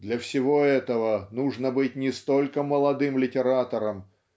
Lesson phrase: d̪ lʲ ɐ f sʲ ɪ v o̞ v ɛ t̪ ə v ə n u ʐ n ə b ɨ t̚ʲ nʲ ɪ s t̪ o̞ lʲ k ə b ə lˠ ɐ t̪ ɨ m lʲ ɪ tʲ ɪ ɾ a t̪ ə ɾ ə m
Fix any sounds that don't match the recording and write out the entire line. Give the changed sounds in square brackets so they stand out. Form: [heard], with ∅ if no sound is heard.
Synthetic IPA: d̪ lʲ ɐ f sʲ ɪ v o̞ [∅] ɛ t̪ ə v ə n u ʐ n ə b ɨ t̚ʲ nʲ ɪ s t̪ o̞ lʲ k ə [m] ə lˠ ɐ [d̪] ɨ m lʲ ɪ tʲ ɪ ɾ a t̪ ə ɾ ə m